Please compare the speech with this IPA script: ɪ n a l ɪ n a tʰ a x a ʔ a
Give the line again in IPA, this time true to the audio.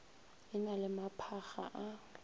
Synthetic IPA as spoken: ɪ n a l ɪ m a pʰ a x a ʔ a